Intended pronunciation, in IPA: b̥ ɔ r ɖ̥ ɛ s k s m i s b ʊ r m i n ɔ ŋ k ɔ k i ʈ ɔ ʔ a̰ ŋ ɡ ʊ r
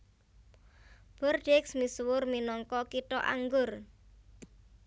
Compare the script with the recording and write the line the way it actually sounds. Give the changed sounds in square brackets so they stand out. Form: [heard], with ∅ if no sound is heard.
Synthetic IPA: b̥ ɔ r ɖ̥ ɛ [∅] k s m i s [w] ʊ r m i n ɔ ŋ k ɔ k i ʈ ɔ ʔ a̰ ŋ ɡ ʊ r